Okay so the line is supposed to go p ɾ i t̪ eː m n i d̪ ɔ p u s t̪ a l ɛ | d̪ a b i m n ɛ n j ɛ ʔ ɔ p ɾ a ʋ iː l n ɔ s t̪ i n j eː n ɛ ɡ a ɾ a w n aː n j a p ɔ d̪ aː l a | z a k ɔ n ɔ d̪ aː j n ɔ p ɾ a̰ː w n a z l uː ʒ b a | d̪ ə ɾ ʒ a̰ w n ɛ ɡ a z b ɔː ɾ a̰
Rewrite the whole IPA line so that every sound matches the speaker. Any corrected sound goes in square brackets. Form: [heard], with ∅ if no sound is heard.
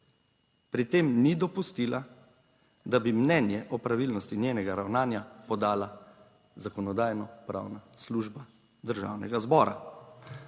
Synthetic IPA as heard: p ɾ i t̪ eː m n i d̪ ɔ p u s t̪ [i] l [a] | d̪ a b i m n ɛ n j ɛ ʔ ɔ p ɾ a ʋ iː l n ɔ s t̪ i n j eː n ɛ ɡ a ɾ a w n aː n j a p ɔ d̪ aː l a | z a k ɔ n ɔ d̪ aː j n ɔ p ɾ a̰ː w n a [s] l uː ʒ b a | d̪ ə ɾ ʒ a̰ w n ɛ ɡ a z b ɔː ɾ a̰